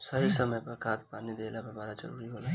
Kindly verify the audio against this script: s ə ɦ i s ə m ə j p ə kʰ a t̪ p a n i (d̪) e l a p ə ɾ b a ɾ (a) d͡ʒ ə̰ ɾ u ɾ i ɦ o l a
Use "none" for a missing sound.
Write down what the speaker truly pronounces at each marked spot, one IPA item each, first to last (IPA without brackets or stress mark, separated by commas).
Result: d̪, a